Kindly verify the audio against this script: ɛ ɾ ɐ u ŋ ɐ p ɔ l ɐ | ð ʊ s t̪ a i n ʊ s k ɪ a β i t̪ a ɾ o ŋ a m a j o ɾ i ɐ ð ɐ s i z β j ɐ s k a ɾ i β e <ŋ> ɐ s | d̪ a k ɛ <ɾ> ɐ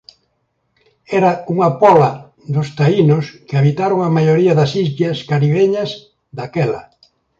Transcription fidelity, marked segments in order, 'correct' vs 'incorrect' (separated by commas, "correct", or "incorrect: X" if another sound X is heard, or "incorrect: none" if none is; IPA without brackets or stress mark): incorrect: ɲ, incorrect: l